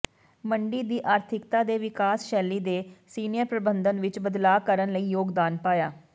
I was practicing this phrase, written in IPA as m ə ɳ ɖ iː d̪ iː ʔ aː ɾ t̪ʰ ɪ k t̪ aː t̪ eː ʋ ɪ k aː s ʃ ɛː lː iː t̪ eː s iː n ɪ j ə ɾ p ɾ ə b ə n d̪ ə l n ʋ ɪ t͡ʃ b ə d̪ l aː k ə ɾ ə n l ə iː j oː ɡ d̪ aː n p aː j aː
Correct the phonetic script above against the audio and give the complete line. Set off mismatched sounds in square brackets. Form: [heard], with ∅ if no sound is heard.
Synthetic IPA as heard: m ə ɳ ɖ iː d̪ iː ʔ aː ɾ t̪ʰ ɪ k t̪ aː [d̪] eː ʋ ɪ k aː s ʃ ɛː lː iː [d̪] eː s iː n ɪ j ə ɾ p ɾ ə b ə n d̪ ə [∅] n ʋ ɪ t͡ʃ b ə d̪ l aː k ə ɾ ə n l ə iː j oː ɡ d̪ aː n p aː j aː